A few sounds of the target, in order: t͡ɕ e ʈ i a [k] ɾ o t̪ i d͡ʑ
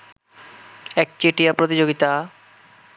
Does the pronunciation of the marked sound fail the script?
yes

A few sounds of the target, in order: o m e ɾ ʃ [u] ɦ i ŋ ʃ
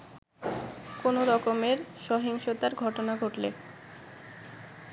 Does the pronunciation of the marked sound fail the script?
yes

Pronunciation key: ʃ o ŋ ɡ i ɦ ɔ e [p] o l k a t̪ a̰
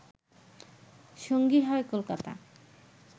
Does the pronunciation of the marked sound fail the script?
yes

